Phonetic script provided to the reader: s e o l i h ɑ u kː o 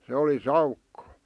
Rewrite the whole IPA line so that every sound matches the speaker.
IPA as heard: s e o l i s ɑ u kː o